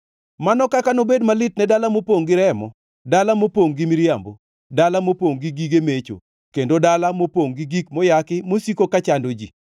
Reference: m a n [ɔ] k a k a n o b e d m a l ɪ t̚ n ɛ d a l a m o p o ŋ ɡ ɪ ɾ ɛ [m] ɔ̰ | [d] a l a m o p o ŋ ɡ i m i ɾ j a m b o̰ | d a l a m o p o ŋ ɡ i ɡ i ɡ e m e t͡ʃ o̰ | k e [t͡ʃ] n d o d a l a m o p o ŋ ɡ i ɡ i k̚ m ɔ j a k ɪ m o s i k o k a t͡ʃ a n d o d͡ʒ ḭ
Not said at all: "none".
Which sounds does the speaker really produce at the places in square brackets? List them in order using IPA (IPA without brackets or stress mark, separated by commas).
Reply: ɔ, m, d, none